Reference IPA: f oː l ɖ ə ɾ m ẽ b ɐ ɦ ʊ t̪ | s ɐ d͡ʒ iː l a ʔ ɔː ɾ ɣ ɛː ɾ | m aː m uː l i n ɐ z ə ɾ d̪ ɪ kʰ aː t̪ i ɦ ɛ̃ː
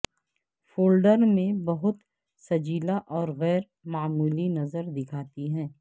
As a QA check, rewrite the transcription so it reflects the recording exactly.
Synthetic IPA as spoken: f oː l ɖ ə ɾ m ẽ b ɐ ɦ ʊ t̪ | s ɐ d͡ʒ iː l a ʔ ɔː ɾ ɣ ɛː ɾ | m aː m uː l i n ɐ z ə ɾ d̪ ɪ kʰ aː t̪ i ɦ ɛ̃ː